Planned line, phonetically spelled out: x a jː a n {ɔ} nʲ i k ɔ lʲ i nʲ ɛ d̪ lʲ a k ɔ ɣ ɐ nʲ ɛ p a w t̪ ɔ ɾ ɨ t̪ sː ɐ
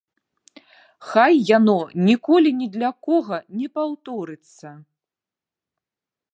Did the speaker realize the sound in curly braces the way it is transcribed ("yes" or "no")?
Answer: yes